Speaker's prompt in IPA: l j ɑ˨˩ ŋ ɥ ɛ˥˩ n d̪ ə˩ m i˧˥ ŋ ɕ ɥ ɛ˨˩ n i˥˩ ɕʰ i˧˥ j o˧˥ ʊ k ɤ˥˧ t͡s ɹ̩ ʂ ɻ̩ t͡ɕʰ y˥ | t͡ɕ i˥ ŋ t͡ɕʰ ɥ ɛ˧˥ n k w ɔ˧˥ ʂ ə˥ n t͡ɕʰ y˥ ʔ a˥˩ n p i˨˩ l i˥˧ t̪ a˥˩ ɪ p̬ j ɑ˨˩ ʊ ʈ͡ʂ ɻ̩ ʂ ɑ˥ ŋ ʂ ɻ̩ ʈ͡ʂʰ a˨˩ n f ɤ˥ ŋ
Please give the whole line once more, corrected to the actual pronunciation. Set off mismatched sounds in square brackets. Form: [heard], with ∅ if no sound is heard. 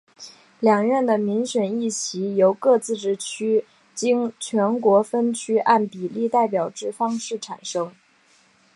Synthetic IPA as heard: l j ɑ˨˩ ŋ ɥ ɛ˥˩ n d̪ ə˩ m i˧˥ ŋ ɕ ɥ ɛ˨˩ n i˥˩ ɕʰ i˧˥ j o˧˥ ʊ k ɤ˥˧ t͡s ɹ̩ [ʈ͡ʂ] ɻ̩ t͡ɕʰ y˥ | t͡ɕ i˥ ŋ t͡ɕʰ ɥ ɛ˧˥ n k w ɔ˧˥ [f] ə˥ n t͡ɕʰ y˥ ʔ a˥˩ n p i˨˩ l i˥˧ t̪ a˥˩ ɪ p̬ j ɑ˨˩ ʊ ʈ͡ʂ ɻ̩ [f] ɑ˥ ŋ ʂ ɻ̩ ʈ͡ʂʰ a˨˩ n [ʂ] ɤ˥ ŋ

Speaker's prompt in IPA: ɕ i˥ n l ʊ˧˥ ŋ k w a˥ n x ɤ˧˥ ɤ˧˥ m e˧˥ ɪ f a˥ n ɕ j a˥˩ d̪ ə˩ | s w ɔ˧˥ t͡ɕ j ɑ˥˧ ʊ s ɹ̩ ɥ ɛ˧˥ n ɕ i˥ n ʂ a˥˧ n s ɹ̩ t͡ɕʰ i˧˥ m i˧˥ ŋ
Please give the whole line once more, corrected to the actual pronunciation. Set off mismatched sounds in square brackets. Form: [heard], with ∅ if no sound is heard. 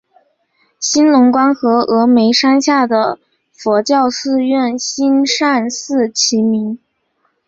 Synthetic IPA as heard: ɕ i˥ n l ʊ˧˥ ŋ k w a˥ n x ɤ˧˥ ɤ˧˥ m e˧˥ ɪ [ʂ] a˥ n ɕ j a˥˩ d̪ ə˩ | [f] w ɔ˧˥ t͡ɕ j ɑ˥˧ ʊ s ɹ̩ ɥ [ɛ˥˩] n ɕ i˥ n ʂ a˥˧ n s ɹ̩ t͡ɕʰ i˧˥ m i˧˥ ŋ

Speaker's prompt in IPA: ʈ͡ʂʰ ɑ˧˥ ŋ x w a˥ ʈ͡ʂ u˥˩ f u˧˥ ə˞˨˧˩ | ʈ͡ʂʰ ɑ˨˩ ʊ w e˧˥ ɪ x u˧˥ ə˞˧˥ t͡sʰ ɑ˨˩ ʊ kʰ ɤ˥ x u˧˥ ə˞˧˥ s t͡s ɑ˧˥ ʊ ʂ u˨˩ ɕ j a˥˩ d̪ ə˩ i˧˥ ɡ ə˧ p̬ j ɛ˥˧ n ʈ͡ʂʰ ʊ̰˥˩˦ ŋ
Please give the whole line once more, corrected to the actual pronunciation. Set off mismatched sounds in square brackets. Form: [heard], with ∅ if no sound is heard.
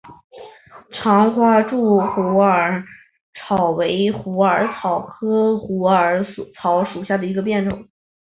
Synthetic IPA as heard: ʈ͡ʂʰ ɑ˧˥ ŋ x w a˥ ʈ͡ʂ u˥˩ [x] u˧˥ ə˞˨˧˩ | ʈ͡ʂʰ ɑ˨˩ ʊ w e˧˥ ɪ x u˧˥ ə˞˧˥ t͡sʰ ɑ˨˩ ʊ kʰ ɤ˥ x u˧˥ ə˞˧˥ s [t͡sʰ] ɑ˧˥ ʊ ʂ u˨˩ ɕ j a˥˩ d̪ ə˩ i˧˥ ɡ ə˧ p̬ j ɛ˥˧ n [ʈ͡ʂ] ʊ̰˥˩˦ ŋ

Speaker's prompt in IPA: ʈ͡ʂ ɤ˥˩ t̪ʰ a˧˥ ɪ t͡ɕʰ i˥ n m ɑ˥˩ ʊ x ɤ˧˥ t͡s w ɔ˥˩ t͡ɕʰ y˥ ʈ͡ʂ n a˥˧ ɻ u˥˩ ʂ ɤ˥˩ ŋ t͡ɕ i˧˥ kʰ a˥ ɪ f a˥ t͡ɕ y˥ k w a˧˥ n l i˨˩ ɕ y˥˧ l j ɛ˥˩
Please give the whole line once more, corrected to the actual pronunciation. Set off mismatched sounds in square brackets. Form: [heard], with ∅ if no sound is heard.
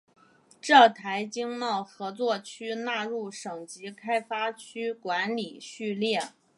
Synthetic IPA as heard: ʈ͡ʂ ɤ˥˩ t̪ʰ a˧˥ ɪ [t͡ɕ] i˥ [ŋ] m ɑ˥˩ ʊ x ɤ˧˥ t͡s w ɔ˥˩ t͡ɕʰ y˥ [∅] n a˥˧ ɻ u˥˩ ʂ [ɤ˨˩] ŋ t͡ɕ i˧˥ kʰ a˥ ɪ f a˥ [t͡ɕʰ] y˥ k w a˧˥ n l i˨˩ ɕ y˥˧ l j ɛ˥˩

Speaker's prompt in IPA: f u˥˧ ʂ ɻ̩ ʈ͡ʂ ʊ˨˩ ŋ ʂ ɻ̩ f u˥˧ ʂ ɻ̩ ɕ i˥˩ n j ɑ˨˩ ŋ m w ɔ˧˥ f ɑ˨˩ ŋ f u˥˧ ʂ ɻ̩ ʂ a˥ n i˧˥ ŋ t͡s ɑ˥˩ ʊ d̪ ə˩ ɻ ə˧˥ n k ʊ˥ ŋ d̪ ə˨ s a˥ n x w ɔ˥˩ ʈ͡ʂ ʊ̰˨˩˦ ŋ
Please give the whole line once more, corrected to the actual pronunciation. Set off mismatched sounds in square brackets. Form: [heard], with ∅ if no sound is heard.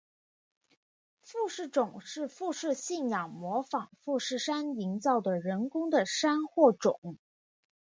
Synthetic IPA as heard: f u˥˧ ʂ ɻ̩ ʈ͡ʂ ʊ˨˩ ŋ ʂ ɻ̩ f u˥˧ ʂ ɻ̩ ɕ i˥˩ n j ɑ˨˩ ŋ m w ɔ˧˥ f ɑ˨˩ ŋ f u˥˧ ʂ ɻ̩ ʂ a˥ n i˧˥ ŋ t͡s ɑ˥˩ ʊ d̪ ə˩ ɻ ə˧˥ n k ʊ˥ ŋ d̪ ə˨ [ʂ] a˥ n x w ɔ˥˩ ʈ͡ʂ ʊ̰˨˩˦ ŋ

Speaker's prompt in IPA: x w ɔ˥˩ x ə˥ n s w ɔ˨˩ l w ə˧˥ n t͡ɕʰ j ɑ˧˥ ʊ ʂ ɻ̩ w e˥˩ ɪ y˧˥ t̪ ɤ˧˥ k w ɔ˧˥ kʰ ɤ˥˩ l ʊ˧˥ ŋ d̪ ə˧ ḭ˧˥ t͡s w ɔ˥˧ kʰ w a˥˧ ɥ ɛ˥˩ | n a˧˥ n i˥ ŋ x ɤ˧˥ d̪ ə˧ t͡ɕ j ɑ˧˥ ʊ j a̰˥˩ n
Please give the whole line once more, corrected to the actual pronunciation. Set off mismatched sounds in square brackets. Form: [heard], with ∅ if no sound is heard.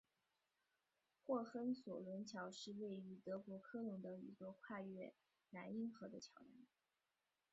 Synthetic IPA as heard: x w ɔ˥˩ x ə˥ n s w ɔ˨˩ l w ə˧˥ n t͡ɕʰ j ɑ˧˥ ʊ ʂ ɻ̩ w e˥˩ ɪ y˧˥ t̪ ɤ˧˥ k w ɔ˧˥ kʰ [ɤ˥] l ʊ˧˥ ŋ d̪ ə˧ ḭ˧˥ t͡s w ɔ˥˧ kʰ w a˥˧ ɥ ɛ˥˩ | n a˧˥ n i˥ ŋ x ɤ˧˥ d̪ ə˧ [t͡ɕʰ] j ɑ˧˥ ʊ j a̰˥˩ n

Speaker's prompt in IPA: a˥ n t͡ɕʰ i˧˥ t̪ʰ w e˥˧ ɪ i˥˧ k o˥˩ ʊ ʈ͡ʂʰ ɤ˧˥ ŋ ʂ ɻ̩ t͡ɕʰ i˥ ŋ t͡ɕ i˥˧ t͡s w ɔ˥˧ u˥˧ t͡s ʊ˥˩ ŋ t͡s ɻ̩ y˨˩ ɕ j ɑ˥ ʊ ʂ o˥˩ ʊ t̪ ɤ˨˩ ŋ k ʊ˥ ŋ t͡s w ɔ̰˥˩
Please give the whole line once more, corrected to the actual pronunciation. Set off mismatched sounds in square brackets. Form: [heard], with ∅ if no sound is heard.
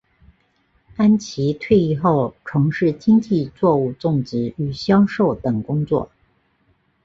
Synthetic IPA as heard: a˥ n t͡ɕʰ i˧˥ t̪ʰ w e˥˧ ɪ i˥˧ [x] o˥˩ ʊ ʈ͡ʂʰ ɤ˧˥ ŋ ʂ ɻ̩ [t͡ɕ] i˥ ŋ t͡ɕ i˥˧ t͡s w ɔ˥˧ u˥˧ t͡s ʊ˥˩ ŋ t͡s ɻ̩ y˨˩ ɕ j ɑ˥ ʊ ʂ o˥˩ ʊ t̪ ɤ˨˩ ŋ k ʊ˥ ŋ t͡s w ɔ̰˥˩

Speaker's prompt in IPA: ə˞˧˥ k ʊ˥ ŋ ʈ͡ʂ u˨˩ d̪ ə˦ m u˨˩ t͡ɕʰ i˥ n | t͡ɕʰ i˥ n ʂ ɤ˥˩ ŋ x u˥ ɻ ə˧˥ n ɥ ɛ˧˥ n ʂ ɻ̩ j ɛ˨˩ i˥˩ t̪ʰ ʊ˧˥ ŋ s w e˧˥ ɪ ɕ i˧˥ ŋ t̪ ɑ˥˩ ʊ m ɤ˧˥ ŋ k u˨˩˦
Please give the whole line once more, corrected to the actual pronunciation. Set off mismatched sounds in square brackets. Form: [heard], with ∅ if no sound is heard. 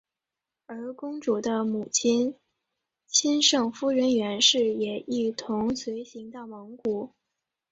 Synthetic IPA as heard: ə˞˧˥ k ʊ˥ ŋ ʈ͡ʂ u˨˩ d̪ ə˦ m u˨˩ t͡ɕʰ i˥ n | t͡ɕʰ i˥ n ʂ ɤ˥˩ ŋ [f] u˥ ɻ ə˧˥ n ɥ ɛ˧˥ n ʂ ɻ̩ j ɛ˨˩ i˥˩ t̪ʰ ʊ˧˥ ŋ s w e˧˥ ɪ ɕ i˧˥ ŋ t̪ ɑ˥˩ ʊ m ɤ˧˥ ŋ k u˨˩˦

